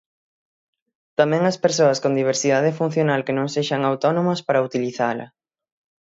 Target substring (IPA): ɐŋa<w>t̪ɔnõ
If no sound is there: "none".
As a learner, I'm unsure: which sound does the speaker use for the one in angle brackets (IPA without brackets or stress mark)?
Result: w